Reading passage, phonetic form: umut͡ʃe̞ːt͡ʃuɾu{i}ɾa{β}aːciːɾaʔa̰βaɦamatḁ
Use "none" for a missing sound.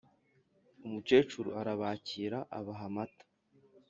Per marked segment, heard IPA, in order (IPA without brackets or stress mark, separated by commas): a, β